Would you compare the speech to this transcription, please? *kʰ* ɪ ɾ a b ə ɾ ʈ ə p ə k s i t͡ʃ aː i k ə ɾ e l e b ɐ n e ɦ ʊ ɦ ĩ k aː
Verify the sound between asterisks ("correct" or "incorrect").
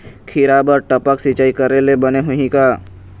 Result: correct